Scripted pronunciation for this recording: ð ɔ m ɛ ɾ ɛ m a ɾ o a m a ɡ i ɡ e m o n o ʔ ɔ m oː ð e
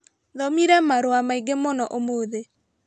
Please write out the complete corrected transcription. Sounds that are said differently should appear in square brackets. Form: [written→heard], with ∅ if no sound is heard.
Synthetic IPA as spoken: ð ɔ m [ɛ→i] ɾ ɛ m a ɾ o a m a [ɡ→∅] i ɡ e m o n [o→ɔ] ʔ [ɔ→o] m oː ð e